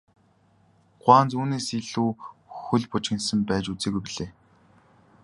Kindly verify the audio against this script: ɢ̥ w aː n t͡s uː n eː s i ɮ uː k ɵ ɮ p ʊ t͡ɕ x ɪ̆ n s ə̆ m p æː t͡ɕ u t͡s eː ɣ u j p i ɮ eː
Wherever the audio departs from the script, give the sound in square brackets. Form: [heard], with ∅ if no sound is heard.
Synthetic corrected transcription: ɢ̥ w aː n t͡s uː n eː s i ɮ uː [x] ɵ ɮ p ʊ t͡ɕ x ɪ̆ n s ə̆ m p æː t͡ɕ u t͡s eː ɣ u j p i ɮ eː